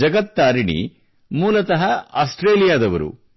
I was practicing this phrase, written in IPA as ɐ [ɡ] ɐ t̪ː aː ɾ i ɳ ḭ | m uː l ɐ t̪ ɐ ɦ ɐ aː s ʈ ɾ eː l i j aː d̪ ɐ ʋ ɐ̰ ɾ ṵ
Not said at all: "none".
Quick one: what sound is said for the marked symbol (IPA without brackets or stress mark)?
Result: ɡ